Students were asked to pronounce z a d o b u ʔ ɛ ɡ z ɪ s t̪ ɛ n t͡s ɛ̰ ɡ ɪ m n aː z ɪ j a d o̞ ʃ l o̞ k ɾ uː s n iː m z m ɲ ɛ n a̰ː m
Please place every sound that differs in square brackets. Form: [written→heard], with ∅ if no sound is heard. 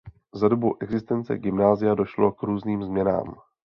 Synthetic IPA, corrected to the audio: z a d o b u ʔ ɛ ɡ z ɪ s t̪ ɛ n t͡s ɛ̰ ɡ ɪ m n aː z ɪ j a d o̞ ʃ l o̞ k ɾ uː [s→z] n iː m z m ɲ ɛ n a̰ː m